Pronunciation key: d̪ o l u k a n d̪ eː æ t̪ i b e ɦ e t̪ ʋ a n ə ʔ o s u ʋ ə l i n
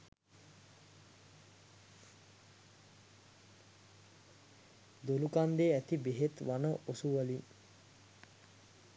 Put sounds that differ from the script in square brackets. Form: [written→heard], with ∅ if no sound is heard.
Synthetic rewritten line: d̪ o l u k a n d̪ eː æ t̪ i b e ɦ e t̪ ʋ a n ə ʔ o s u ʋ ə l i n

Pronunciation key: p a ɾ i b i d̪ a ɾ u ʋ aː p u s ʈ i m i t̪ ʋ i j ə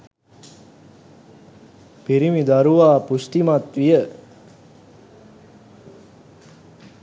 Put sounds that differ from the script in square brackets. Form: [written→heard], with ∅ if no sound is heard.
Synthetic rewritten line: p [a→i] ɾ i [b→m] i d̪ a ɾ u ʋ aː p u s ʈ i m [i→a] t̪ ʋ i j ə

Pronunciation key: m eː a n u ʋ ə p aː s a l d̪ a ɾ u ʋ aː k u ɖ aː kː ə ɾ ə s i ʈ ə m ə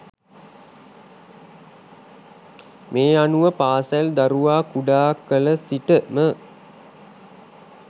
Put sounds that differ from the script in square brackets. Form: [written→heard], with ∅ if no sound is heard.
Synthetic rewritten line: m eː a n u ʋ ə p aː s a l d̪ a ɾ u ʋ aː k u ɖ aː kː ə [ɾ→l] ə s i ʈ ə m ə

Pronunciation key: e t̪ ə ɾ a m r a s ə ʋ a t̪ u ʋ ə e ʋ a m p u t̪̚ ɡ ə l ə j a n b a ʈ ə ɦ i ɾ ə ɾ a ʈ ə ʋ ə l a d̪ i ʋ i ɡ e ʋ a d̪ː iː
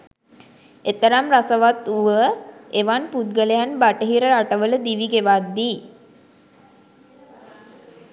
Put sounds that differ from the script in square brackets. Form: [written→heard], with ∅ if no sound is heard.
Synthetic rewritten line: e t̪ ə ɾ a m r a s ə ʋ a t̪ u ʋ ə e ʋ a [m→n] p u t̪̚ ɡ ə l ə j a n b a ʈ ə ɦ i ɾ ə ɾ a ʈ ə ʋ ə l [a→ə] d̪ i ʋ i ɡ e ʋ a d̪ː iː

